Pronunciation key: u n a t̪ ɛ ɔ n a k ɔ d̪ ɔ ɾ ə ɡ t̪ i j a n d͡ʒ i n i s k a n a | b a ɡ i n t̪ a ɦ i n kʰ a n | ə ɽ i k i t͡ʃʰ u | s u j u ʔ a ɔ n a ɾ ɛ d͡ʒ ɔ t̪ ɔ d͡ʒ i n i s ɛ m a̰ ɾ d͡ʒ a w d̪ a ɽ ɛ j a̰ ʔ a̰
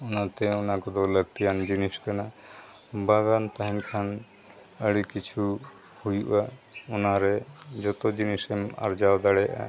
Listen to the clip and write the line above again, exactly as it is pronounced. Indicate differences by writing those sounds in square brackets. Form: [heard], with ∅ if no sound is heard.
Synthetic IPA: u n a t̪ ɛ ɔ n a k ɔ d̪ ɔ [l] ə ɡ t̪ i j a n d͡ʒ i n i s k a n a | b a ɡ [a] n t̪ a ɦ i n kʰ a n | ə ɽ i k i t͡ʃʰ u | [h] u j u ʔ a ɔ n a ɾ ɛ d͡ʒ ɔ t̪ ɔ d͡ʒ i n i s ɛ m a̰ ɾ d͡ʒ a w d̪ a ɽ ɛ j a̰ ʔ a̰